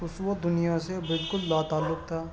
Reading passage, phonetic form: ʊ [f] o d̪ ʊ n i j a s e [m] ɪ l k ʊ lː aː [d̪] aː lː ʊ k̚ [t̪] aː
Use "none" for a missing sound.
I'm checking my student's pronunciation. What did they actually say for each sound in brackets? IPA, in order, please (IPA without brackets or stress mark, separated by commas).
s, b, t̪, t̪ʰ